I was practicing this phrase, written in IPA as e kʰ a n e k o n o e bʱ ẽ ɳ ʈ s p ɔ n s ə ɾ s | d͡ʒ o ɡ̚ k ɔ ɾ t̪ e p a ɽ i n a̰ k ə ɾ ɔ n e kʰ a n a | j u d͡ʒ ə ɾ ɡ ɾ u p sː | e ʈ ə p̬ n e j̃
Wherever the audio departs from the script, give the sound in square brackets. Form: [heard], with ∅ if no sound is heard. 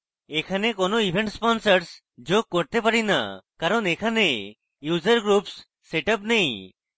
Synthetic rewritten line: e kʰ a n e k o n o [i] bʱ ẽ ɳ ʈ s p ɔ n s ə ɾ s | d͡ʒ o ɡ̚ k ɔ ɾ t̪ e p a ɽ i n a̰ k [a] ɾ ɔ n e kʰ a n [e] | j u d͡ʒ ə ɾ ɡ ɾ u p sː | e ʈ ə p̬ n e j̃